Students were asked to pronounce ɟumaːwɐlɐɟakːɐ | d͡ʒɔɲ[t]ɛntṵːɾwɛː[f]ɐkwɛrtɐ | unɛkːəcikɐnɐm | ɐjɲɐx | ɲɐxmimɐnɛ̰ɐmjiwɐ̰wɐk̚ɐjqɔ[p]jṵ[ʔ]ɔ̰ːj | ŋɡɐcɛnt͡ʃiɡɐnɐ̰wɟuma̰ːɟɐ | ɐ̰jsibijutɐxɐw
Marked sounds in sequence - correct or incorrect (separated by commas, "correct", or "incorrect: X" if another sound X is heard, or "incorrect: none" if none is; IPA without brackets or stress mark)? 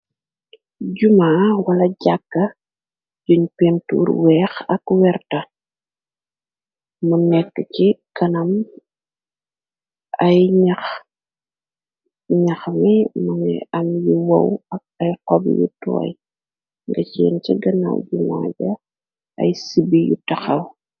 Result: incorrect: p, incorrect: x, incorrect: b, incorrect: t